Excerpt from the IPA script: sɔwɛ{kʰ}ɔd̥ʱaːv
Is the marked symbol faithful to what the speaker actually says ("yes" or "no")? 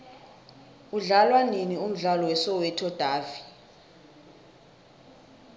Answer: no